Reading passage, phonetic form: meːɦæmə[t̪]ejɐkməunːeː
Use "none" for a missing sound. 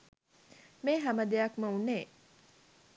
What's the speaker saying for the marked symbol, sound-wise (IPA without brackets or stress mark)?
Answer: d̪